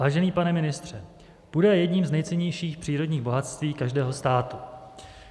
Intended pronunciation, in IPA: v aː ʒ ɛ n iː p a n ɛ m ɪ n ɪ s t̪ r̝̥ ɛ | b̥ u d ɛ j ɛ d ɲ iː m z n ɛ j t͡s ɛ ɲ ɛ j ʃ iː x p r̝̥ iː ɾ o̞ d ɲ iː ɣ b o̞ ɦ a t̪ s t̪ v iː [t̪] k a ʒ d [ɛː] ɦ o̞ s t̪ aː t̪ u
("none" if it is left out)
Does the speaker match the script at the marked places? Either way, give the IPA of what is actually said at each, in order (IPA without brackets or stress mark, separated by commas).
none, ɛː